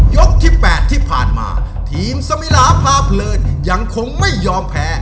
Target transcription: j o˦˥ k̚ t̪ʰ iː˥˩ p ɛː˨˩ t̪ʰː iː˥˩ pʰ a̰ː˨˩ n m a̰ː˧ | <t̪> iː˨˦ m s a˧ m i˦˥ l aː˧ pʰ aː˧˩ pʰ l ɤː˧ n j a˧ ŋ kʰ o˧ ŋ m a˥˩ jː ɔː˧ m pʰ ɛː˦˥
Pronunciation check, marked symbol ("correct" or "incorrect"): incorrect